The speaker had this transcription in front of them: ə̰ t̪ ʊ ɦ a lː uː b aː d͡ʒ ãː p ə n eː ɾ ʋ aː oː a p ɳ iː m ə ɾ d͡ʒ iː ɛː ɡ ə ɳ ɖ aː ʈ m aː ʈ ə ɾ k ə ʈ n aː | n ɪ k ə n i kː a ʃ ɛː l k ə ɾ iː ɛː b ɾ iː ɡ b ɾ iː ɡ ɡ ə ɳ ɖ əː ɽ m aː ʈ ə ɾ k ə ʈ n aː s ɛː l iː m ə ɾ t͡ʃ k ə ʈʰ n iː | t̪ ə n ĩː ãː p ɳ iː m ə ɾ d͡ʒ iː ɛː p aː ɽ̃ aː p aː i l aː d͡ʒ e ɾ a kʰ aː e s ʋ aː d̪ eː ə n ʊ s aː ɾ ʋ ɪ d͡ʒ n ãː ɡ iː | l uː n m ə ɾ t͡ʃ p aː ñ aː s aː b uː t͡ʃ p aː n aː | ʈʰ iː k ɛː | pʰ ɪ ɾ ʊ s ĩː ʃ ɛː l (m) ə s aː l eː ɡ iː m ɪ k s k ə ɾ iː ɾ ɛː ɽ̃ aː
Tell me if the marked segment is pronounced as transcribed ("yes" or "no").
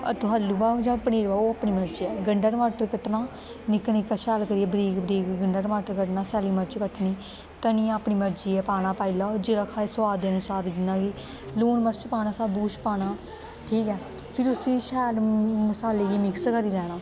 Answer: yes